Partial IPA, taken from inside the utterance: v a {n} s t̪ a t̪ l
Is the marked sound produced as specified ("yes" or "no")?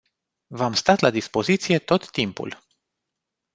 no